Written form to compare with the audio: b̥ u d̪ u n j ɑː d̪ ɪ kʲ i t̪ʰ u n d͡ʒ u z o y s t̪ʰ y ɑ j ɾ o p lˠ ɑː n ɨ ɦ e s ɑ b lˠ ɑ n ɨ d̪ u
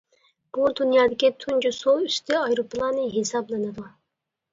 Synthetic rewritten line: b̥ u d̪ u n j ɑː d̪ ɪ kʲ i t̪ʰ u n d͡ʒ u s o y s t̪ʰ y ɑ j ɾ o p lˠ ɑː n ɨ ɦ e s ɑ b lˠ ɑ n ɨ d̪ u